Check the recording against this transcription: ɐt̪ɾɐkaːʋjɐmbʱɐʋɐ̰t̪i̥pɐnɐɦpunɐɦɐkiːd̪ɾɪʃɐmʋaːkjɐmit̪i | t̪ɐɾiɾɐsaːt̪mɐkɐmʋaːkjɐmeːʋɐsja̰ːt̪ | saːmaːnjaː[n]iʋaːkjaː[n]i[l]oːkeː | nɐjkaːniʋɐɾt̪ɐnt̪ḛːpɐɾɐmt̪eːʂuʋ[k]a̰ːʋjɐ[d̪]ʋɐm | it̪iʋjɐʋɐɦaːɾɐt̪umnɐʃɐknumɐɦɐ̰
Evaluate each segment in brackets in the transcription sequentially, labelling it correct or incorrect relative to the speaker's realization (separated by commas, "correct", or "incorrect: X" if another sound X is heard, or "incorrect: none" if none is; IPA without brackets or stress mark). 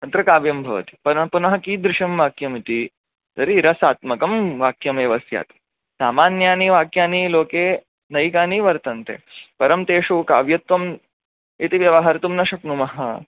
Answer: correct, correct, correct, correct, incorrect: t̪